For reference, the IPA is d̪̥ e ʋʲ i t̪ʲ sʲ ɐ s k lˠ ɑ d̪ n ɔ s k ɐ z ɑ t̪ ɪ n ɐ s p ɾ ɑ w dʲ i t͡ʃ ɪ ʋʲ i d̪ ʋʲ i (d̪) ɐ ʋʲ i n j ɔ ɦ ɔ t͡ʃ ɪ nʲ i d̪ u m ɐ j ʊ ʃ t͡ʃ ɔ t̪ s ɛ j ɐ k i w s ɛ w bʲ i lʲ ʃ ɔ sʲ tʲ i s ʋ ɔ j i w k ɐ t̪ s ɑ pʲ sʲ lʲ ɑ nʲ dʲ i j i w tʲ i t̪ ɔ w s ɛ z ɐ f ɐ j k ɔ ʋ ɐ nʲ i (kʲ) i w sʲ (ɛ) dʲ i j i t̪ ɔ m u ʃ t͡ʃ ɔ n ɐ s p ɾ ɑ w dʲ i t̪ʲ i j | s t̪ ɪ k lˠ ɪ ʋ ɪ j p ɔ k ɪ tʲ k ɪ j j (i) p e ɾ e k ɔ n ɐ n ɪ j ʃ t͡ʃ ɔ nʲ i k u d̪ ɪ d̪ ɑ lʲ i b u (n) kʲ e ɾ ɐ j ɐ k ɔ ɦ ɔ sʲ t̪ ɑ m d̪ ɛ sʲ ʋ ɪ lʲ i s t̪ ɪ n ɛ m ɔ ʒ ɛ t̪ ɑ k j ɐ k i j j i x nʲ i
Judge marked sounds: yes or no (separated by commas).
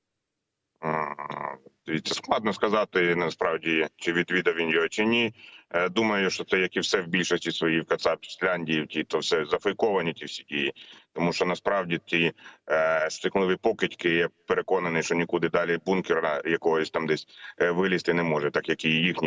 yes, no, no, no, yes